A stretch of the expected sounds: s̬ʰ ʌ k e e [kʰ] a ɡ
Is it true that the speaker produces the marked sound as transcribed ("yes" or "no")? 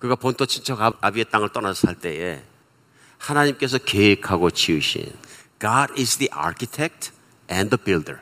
yes